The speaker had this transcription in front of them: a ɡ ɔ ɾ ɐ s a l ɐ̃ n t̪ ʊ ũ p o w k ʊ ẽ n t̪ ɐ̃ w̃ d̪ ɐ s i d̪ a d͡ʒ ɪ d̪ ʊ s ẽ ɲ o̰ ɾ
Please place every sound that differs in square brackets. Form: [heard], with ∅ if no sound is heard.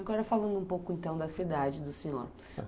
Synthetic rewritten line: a ɡ ɔ ɾ ɐ [f] a l ɐ̃ n [d̪] ʊ ũ p o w k ʊ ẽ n t̪ ɐ̃ w̃ d̪ ɐ s i d̪ a d͡ʒ ɪ d̪ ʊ s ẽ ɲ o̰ ɾ

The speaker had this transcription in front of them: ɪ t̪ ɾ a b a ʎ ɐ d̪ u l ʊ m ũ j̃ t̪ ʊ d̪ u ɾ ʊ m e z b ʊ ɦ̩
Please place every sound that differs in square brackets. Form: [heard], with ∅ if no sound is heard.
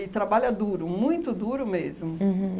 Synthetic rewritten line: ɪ t̪ ɾ a b a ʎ ɐ d̪ u [ɾ] ʊ m ũ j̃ t̪ ʊ d̪ u ɾ ʊ m e z [m] ʊ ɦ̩

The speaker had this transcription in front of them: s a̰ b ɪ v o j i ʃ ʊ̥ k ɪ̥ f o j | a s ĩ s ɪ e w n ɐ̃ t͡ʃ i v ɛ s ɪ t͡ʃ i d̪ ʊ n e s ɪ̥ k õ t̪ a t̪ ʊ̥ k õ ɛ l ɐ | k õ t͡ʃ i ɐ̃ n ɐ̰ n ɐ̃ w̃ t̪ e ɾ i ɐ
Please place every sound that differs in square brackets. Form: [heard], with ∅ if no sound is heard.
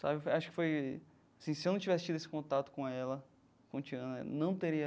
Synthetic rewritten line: s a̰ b ɪ [f] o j [a] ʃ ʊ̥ k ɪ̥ f o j | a s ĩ s ɪ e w n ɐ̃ t͡ʃ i v ɛ s ɪ t͡ʃ i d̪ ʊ [∅] e s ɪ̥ k õ t̪ a t̪ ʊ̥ k õ ɛ l ɐ | k õ t͡ʃ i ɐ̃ n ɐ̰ n ɐ̃ w̃ t̪ e ɾ i ɐ

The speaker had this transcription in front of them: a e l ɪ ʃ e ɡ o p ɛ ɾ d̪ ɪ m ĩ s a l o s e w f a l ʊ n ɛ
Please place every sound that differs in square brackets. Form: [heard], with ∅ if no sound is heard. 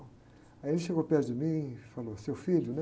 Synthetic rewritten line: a e l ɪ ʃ e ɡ o p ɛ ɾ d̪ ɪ m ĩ [f] a l o s e w f [i] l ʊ n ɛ

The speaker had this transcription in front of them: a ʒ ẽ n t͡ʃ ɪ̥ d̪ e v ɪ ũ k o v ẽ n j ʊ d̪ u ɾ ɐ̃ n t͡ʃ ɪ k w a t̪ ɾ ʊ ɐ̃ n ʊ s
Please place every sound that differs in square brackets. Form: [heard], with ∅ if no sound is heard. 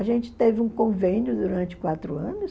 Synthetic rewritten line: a ʒ ẽ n t͡ʃ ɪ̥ [t̪] e v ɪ ũ k [õ] v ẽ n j ʊ d̪ u ɾ ɐ̃ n t͡ʃ ɪ k w a t̪ ɾ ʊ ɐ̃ n ʊ s

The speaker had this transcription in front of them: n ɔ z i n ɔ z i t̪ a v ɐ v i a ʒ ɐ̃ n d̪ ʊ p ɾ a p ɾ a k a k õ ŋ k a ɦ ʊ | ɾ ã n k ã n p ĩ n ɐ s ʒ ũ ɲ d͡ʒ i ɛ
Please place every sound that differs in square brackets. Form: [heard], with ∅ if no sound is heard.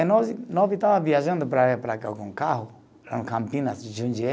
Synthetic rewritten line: n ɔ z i n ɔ [v] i t̪ a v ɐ v i a ʒ ɐ̃ n d̪ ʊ p ɾ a p ɾ a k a k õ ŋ k a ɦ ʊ | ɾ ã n k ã [m] p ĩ n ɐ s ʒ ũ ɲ d͡ʒ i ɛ

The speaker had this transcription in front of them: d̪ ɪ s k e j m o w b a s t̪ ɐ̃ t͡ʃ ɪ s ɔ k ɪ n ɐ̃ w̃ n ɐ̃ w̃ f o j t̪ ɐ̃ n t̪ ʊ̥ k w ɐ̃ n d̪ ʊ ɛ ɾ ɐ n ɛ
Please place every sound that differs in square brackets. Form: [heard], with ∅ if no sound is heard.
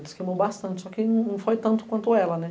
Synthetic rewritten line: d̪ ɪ s k e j m o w b a s t̪ ɐ̃ t͡ʃ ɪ s ɔ k ɪ n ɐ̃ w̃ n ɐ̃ w̃ f o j t̪ ɐ̃ n t̪ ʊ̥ k w ɐ̃ n [t̪] ʊ ɛ [l] ɐ n ɛ

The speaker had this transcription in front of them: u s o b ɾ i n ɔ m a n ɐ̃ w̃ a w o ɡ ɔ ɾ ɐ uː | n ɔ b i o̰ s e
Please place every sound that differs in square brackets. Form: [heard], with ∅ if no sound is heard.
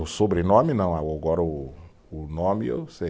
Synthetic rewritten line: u s o b ɾ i n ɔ m [i] n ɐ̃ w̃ a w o ɡ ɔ ɾ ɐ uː | n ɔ [m] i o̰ s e

